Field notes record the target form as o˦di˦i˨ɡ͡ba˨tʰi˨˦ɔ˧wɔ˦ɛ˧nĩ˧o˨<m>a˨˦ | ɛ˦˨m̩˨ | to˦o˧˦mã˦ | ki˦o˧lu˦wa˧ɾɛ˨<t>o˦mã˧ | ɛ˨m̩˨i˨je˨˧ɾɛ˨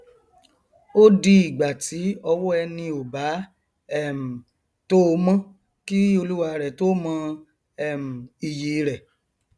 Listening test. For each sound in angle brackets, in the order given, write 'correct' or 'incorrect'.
incorrect: b, correct

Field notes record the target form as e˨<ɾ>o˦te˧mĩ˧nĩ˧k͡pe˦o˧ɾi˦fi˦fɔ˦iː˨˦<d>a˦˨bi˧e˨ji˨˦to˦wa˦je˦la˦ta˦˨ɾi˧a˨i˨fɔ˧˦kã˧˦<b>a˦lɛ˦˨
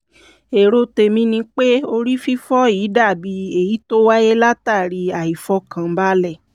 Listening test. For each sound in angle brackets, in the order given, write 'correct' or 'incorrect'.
correct, correct, correct

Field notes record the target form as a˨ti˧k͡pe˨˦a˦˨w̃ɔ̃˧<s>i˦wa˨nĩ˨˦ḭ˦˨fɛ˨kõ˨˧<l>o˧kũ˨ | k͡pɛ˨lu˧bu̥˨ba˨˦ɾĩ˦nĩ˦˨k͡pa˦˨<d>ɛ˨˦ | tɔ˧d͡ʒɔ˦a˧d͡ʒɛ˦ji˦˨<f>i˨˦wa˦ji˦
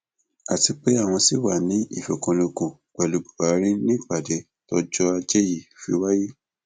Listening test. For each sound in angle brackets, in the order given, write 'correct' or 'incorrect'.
correct, correct, correct, correct

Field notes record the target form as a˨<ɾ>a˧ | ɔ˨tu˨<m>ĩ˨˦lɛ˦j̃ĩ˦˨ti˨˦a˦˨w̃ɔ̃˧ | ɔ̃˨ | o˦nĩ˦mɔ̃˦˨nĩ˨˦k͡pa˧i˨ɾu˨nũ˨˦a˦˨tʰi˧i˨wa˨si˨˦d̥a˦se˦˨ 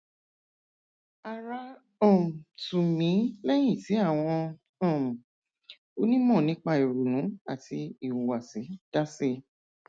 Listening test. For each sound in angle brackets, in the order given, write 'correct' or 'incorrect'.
correct, correct

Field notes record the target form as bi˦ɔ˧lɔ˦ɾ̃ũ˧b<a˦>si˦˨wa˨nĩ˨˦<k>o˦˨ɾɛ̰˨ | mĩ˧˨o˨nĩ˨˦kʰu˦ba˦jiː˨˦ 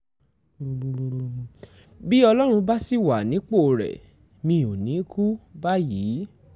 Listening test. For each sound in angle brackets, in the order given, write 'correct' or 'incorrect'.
correct, incorrect: k͡p

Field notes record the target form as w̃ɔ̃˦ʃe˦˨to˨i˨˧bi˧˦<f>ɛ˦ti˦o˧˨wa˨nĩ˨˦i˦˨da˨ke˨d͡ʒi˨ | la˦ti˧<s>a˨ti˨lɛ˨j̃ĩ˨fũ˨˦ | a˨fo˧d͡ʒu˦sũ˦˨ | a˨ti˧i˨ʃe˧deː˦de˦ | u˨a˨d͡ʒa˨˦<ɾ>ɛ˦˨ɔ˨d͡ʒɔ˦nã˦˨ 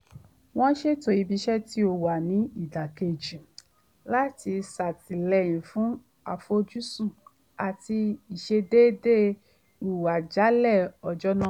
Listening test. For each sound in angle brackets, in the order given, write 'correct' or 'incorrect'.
incorrect: ʃ, correct, incorrect: l

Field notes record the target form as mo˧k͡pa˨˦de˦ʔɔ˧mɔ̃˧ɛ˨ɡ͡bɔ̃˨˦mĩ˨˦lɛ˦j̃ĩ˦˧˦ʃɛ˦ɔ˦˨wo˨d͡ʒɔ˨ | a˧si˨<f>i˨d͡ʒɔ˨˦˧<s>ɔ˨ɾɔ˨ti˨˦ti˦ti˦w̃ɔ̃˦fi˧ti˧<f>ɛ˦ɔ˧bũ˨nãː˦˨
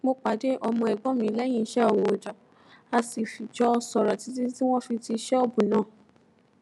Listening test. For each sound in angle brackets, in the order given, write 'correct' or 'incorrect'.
correct, correct, incorrect: ʃ

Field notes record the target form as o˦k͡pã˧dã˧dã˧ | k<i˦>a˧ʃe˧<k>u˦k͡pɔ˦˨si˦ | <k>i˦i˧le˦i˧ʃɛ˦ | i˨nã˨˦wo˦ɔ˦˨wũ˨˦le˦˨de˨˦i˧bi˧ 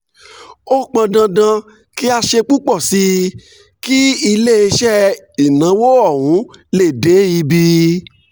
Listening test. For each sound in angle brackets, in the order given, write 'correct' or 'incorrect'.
correct, incorrect: k͡p, correct

